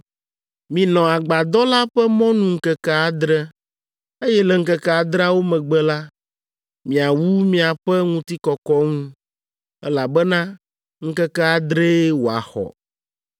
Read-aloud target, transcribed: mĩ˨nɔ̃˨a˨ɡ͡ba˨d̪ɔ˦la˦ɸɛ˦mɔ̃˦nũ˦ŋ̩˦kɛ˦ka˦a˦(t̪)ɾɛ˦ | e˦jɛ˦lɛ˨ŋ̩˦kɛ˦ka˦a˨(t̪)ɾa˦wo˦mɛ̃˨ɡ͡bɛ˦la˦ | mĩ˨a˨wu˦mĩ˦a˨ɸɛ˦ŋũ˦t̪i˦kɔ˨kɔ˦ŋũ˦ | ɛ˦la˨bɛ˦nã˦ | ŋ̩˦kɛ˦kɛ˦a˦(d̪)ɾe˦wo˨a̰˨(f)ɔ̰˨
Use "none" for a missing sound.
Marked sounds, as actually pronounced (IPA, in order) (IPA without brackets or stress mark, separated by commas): d̪, d̪, d̪, x